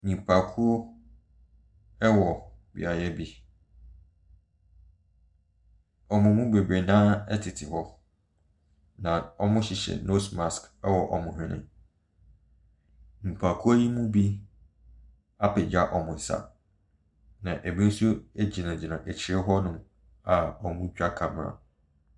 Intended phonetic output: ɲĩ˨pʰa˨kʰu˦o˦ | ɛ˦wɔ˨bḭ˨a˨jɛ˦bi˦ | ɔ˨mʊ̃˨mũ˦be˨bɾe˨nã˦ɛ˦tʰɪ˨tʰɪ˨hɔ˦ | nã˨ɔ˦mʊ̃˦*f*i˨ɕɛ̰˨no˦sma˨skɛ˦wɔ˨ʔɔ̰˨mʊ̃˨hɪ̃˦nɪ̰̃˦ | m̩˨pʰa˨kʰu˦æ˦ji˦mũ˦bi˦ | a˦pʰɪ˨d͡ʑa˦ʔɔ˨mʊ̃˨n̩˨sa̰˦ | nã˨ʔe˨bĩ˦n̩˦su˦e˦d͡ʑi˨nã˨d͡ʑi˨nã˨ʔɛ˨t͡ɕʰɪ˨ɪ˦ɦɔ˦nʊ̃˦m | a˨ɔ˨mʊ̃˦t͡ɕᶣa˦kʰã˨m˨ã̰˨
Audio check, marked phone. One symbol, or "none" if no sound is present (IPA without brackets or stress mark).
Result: ɕ